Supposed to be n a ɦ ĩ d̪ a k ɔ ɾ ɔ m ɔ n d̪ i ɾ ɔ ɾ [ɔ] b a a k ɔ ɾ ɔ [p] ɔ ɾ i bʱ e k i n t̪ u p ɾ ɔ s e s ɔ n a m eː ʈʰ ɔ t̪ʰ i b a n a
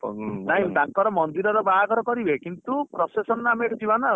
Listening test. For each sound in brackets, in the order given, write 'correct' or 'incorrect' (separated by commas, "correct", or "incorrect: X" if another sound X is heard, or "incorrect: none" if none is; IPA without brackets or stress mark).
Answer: correct, incorrect: k